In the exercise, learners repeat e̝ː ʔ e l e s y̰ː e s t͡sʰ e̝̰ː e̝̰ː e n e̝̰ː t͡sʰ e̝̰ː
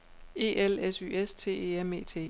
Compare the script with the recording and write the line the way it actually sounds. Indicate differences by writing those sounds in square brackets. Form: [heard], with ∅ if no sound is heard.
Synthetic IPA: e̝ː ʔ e l e s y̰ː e s t͡sʰ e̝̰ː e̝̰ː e [m] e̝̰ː t͡sʰ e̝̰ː